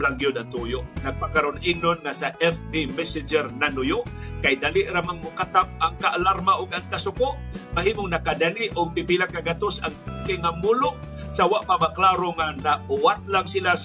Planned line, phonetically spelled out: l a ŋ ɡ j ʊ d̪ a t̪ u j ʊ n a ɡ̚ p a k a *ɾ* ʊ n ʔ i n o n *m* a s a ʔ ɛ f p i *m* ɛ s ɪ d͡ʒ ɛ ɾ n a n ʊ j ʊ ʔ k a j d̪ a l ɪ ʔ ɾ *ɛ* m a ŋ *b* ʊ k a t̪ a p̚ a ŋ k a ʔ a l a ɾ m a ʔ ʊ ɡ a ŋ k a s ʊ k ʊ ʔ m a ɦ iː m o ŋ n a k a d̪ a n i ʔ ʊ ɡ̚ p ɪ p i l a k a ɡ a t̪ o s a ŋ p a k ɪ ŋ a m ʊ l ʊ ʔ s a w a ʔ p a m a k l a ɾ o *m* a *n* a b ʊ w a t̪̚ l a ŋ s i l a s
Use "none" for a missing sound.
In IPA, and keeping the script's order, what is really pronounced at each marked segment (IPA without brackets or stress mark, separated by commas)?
ɾ, ŋ, m, a, m, ŋ, n